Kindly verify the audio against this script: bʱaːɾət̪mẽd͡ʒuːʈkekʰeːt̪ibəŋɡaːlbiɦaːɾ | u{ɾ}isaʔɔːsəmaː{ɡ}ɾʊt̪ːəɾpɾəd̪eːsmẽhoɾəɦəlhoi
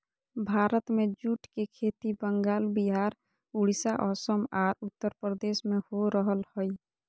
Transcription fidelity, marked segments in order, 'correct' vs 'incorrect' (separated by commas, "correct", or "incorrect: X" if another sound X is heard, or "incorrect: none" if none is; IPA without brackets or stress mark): incorrect: ɽ, incorrect: none